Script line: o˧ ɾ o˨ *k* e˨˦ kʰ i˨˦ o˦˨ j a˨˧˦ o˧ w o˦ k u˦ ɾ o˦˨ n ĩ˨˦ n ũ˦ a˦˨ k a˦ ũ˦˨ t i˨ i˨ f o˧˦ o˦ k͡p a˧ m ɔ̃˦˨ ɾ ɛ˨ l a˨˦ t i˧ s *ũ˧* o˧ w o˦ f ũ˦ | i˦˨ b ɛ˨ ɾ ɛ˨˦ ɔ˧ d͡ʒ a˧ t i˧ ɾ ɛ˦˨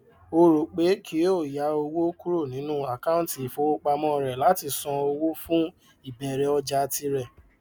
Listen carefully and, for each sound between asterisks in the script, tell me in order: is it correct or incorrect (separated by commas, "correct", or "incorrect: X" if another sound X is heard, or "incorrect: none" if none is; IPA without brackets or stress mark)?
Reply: incorrect: k͡p, incorrect: ɔ̃˧